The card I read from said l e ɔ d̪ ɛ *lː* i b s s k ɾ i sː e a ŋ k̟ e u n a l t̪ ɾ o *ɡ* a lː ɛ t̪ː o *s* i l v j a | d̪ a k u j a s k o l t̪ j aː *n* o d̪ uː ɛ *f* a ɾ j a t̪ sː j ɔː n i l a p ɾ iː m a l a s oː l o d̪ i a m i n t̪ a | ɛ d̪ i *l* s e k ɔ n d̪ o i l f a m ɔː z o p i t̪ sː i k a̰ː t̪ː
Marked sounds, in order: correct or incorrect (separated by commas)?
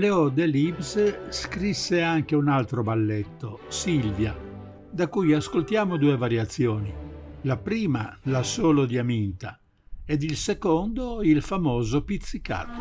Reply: incorrect, incorrect, correct, incorrect, incorrect, correct